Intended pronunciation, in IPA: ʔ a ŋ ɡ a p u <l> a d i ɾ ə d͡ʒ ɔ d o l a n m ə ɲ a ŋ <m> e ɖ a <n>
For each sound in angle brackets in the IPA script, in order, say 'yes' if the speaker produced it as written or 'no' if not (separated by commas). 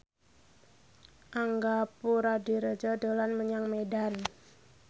no, yes, yes